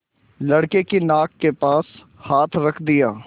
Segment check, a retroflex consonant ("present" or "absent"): present